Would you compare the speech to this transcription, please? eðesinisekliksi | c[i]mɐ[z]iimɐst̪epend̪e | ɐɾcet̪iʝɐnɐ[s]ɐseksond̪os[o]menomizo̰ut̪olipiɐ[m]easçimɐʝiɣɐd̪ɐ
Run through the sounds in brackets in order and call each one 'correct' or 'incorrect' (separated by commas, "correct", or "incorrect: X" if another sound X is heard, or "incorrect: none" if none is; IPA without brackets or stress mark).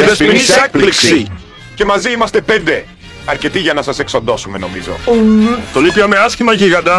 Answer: incorrect: e, correct, correct, incorrect: u, correct